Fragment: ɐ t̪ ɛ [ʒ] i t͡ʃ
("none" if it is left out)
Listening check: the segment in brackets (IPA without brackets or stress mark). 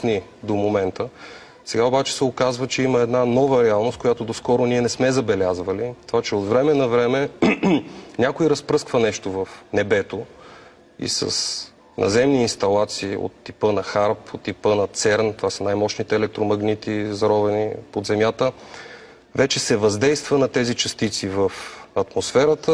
z